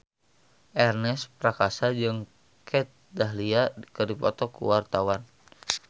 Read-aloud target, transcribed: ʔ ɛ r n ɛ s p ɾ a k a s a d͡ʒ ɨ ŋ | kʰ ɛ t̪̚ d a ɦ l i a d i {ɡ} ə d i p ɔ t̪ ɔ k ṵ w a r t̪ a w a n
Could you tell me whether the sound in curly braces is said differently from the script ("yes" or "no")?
yes